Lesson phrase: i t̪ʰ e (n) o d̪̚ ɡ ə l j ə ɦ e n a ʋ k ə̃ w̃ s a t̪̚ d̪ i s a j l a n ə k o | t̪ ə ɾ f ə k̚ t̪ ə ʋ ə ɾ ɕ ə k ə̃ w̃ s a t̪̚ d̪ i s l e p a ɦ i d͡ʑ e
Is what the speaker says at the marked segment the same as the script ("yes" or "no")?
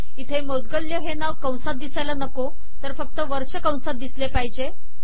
no